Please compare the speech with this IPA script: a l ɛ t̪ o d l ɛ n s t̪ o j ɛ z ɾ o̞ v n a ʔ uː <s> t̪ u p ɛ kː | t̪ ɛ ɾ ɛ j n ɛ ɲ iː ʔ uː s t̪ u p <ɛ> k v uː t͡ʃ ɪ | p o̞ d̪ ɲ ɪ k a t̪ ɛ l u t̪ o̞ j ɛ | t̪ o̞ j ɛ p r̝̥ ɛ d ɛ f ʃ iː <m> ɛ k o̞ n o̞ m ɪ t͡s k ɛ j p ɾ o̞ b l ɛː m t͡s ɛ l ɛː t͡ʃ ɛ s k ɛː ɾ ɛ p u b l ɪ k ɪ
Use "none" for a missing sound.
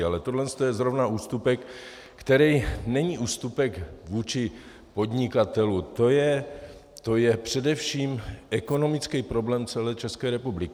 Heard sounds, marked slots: s, ɛ, m

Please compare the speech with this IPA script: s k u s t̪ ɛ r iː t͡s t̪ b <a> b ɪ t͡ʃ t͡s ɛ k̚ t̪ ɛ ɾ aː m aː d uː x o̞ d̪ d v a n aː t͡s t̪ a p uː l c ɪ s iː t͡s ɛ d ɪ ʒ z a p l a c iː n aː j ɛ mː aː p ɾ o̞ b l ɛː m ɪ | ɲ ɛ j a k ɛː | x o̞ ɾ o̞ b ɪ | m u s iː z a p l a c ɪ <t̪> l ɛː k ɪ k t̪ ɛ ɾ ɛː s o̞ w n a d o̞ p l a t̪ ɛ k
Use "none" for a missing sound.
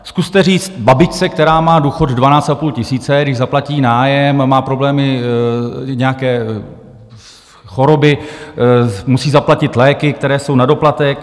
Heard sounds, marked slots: a, t̪

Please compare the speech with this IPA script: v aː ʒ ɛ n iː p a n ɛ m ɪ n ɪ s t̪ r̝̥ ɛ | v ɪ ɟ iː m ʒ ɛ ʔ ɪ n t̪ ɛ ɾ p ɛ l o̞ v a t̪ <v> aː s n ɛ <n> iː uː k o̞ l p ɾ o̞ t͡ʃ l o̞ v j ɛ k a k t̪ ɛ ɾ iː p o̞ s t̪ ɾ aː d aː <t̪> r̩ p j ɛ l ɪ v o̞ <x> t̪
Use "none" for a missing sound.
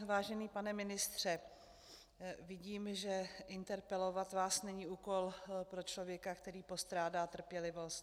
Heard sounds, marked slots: v, ɲ, t̪, s

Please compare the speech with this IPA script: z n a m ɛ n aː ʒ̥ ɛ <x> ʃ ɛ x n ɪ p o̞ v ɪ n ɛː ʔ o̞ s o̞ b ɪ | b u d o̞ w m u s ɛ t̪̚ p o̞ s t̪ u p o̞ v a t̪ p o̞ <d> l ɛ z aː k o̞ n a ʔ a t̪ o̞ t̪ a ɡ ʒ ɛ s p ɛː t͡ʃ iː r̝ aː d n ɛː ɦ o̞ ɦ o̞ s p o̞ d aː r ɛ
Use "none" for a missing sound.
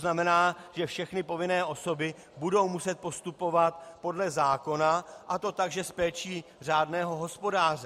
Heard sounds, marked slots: f, d

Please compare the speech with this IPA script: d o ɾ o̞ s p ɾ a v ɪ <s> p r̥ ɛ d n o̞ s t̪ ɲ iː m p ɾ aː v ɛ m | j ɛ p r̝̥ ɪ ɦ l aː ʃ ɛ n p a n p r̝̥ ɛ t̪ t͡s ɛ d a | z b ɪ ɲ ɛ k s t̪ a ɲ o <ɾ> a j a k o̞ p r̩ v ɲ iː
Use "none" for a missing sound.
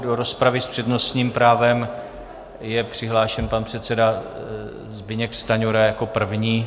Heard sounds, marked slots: s, ɾ

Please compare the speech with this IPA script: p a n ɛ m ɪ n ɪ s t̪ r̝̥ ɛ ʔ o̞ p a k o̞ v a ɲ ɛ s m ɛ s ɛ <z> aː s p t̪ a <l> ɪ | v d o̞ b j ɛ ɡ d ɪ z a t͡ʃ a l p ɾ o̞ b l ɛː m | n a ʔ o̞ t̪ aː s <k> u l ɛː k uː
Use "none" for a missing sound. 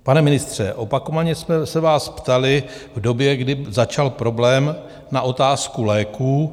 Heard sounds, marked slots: v, l, k

